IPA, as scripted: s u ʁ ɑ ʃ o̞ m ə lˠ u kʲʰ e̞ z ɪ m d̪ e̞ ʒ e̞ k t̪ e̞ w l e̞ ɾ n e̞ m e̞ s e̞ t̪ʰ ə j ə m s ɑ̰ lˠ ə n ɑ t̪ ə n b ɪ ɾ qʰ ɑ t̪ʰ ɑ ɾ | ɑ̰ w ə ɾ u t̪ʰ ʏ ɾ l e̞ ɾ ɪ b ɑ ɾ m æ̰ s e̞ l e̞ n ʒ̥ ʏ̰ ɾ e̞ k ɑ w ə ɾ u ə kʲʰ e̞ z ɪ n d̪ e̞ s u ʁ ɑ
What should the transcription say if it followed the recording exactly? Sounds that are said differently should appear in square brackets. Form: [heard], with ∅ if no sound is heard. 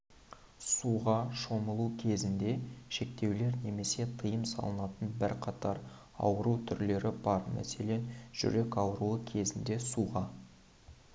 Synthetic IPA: s u ʁ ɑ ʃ o̞ m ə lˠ u kʲʰ e̞ z ɪ [n] d̪ e̞ [ʃ] e̞ k t̪ e̞ w l e̞ ɾ n e̞ m e̞ s e̞ t̪ʰ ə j ə m s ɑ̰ lˠ ə n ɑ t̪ ə n b ɪ ɾ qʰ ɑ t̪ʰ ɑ ɾ | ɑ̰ w ə ɾ u t̪ʰ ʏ ɾ l e̞ ɾ ɪ b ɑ ɾ m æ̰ s e̞ l e̞ n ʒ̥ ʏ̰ ɾ e̞ k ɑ w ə ɾ u ə kʲʰ e̞ z ɪ n d̪ e̞ s u ʁ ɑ